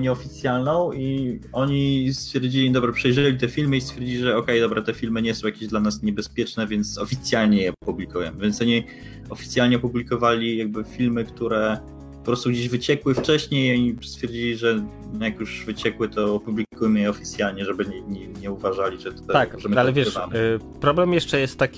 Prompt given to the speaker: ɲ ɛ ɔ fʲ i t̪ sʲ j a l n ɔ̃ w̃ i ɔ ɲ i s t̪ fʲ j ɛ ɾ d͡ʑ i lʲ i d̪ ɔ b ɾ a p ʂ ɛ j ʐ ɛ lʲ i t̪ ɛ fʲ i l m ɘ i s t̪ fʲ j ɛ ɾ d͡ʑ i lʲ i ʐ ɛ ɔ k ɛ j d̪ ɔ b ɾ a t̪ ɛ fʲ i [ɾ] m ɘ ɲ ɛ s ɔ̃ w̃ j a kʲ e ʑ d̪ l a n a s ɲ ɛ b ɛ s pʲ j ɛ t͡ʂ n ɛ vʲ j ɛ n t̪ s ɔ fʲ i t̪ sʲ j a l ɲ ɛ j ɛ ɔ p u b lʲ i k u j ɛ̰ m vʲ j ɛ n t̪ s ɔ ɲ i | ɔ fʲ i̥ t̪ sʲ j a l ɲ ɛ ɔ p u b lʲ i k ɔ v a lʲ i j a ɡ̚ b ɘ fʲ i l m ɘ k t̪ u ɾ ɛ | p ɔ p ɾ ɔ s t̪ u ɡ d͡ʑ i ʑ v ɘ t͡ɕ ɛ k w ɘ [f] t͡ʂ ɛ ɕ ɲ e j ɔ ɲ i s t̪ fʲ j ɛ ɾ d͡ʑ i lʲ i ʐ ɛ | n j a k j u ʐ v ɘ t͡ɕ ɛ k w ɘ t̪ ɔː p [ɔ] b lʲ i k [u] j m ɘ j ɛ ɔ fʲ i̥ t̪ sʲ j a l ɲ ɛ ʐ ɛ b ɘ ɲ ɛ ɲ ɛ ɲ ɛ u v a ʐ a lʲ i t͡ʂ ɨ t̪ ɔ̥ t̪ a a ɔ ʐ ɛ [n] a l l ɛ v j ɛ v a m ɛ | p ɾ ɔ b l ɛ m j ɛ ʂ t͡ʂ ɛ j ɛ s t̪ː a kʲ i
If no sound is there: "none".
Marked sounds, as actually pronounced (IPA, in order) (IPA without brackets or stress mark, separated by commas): l, f, u, u, m